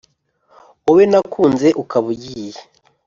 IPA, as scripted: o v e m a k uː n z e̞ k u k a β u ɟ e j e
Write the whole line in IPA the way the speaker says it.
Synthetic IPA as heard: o w e n a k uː n z e̞ ʔ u k a β u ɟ i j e